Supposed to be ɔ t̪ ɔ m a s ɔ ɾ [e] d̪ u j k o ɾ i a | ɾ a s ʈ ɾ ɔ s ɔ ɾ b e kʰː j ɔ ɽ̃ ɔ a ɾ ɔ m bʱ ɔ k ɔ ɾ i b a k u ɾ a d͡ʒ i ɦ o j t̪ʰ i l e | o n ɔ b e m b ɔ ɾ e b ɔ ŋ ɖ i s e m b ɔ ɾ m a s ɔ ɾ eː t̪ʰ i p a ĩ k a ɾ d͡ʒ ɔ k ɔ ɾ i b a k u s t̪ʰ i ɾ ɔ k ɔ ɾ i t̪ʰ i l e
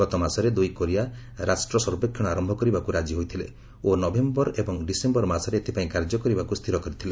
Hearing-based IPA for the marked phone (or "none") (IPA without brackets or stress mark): e